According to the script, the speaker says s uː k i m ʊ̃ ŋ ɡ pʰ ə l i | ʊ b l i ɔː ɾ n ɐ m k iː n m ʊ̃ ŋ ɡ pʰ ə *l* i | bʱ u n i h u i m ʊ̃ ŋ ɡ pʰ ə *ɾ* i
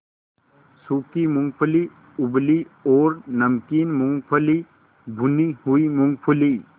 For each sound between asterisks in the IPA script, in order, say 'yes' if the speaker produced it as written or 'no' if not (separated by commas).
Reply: yes, no